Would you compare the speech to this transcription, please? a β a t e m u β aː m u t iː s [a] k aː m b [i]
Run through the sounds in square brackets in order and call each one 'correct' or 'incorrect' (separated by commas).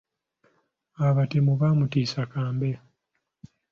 correct, incorrect